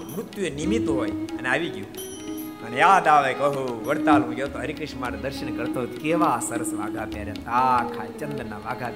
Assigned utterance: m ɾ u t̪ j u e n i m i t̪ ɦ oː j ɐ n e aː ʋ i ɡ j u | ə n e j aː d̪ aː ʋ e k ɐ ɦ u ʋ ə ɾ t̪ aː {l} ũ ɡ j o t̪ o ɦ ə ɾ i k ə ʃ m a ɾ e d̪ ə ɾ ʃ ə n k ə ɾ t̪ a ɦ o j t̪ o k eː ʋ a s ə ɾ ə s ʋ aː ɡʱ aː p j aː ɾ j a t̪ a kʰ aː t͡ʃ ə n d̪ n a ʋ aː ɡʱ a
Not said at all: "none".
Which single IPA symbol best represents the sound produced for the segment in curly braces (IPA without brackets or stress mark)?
l